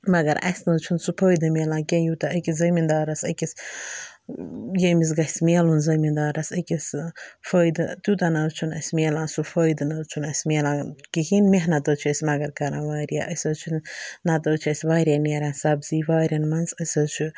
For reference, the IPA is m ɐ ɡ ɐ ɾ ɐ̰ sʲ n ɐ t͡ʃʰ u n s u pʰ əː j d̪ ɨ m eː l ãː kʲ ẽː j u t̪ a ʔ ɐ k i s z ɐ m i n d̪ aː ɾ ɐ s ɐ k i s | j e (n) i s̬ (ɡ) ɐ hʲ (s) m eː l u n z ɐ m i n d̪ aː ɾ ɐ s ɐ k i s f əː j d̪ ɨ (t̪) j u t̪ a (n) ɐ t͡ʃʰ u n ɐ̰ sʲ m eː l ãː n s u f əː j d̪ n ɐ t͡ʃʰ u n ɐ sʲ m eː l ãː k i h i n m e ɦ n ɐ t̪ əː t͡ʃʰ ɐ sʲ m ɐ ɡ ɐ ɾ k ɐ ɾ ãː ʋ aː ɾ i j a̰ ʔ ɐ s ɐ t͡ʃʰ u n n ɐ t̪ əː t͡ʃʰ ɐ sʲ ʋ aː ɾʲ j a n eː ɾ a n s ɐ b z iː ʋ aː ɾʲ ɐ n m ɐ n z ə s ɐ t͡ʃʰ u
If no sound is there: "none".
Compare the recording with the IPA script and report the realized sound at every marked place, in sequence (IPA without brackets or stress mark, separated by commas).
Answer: m, ɡ, s, t̪, n